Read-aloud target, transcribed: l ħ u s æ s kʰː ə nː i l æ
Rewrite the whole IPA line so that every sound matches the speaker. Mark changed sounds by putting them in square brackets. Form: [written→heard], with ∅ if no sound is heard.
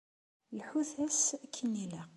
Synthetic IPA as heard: l ħ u [s→θ] æ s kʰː ə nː i l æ